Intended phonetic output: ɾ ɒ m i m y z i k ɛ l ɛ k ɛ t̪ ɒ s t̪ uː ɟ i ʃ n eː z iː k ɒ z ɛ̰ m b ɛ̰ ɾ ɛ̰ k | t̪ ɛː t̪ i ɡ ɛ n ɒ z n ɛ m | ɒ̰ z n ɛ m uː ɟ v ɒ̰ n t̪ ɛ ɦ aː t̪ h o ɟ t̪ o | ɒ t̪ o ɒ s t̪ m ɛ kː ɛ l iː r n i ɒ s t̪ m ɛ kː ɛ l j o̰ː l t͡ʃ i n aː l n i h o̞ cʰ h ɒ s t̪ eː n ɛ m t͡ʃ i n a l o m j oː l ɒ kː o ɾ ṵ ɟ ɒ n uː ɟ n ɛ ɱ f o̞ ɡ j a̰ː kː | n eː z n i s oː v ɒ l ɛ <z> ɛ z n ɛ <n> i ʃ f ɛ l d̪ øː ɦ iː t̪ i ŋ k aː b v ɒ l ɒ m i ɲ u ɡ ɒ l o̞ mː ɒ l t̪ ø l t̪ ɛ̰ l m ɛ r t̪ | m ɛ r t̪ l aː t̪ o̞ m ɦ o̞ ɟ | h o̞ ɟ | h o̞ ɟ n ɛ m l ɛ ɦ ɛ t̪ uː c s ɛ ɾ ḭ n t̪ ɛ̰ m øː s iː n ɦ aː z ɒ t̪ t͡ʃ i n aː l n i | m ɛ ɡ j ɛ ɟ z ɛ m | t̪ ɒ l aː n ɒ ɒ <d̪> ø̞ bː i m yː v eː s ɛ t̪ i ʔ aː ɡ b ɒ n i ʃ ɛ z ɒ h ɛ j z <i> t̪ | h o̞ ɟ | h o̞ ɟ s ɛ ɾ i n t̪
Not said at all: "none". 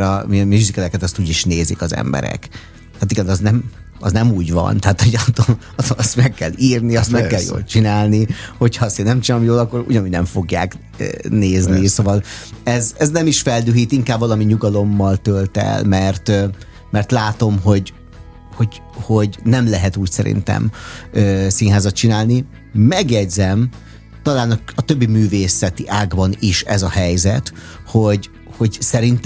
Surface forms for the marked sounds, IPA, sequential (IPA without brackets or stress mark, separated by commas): z, m, t̪, ɛ